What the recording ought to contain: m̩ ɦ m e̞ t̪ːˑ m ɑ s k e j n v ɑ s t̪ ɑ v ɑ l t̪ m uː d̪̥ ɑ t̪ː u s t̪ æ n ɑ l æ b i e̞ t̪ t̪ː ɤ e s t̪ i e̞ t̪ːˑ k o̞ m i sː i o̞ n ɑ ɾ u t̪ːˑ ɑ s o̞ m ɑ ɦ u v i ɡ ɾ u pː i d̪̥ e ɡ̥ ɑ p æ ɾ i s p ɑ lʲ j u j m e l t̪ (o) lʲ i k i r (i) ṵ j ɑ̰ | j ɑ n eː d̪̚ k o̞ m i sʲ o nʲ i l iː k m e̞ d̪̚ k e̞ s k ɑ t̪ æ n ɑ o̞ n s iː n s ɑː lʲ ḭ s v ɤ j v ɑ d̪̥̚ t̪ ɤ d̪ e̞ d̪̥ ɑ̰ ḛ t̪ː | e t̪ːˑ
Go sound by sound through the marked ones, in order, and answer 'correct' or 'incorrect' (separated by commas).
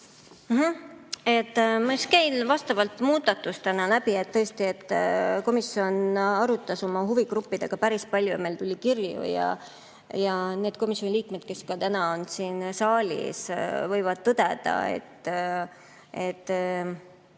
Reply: incorrect, incorrect